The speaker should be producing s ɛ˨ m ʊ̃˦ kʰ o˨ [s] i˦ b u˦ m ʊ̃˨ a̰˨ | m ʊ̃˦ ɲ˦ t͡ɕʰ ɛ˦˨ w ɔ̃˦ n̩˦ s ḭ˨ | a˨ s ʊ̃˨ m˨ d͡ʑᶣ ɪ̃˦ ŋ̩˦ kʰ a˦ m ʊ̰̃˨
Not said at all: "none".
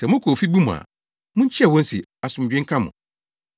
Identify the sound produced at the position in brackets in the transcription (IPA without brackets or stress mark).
f